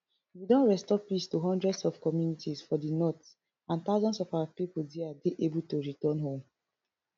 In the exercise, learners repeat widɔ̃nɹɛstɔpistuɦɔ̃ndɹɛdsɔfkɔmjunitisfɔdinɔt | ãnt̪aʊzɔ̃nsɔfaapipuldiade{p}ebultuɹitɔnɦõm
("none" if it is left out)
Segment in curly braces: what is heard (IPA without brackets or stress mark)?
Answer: ʔ